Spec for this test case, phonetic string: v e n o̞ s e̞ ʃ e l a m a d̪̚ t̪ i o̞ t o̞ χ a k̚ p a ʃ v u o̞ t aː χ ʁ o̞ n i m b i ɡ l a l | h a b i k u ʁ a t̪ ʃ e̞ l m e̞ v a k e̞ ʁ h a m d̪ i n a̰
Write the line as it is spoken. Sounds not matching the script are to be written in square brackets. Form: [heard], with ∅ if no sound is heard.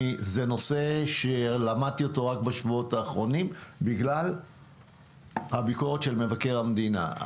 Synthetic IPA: [z] e n o̞ s e̞ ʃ e l a m a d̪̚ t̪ i o̞ t o̞ [ʁ] a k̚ [b] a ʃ v u o̞ t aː χ ʁ o̞ n i m b i ɡ l a l | h a b i k [o] ʁ [e] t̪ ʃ e̞ l m e̞ v a k e̞ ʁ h a m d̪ i n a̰